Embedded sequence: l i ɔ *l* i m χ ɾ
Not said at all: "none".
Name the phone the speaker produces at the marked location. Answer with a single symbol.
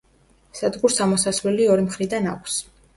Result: ɾ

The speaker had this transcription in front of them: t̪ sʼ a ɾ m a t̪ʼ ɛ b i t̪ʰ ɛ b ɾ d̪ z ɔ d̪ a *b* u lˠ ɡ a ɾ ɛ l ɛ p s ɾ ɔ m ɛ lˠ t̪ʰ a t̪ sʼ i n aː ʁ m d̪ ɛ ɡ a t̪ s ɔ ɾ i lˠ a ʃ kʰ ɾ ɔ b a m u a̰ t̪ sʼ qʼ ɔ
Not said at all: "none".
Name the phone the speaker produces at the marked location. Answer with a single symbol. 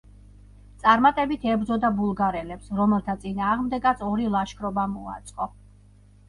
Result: b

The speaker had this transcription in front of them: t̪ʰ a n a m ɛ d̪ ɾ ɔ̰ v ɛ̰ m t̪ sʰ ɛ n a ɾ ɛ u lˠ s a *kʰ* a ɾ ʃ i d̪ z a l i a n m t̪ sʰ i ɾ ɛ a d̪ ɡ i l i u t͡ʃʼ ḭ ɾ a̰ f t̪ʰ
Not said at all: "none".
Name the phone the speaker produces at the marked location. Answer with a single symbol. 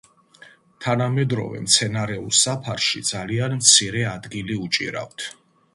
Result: pʰ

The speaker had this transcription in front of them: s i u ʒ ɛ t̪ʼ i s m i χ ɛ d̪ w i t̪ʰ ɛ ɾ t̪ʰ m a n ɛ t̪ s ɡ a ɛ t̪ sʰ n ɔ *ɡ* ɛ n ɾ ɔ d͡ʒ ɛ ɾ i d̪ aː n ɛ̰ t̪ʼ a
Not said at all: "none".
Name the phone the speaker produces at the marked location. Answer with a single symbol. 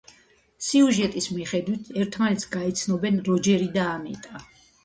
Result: b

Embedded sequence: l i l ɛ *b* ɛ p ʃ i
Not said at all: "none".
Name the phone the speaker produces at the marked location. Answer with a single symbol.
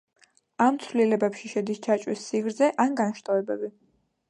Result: b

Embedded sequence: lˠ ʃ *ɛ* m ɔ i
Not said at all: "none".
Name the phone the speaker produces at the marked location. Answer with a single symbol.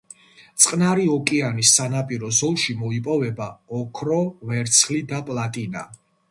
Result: i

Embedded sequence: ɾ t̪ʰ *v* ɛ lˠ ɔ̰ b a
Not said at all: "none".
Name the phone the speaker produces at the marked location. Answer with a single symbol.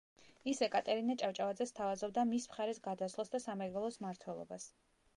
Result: w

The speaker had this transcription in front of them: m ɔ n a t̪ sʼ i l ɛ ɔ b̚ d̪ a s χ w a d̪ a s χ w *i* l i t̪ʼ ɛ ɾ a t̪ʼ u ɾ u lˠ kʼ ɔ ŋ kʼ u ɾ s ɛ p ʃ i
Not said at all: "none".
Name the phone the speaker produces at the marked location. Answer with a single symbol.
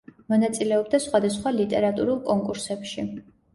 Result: a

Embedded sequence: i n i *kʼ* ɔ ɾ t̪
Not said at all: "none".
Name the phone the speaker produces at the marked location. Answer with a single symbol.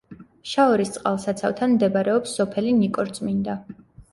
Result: kʼ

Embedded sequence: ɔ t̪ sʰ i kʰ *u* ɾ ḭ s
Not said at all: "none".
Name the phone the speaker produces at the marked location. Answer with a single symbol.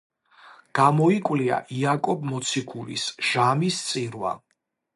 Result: u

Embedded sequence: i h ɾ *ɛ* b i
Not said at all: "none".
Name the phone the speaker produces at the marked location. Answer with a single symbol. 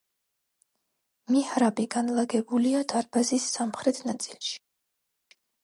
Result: a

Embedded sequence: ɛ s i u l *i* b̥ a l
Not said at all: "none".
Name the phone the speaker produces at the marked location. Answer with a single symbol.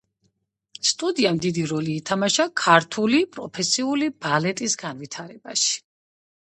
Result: i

